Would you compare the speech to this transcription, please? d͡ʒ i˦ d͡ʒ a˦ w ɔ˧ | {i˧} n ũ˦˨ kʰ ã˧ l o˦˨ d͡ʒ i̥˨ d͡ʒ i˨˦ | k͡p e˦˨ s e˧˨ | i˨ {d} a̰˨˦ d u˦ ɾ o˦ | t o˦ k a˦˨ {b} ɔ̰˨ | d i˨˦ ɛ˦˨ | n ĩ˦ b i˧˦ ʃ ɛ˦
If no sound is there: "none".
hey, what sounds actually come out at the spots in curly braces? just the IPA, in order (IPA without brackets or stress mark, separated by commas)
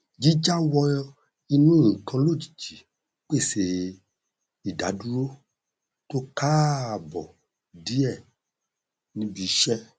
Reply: i˧, d, b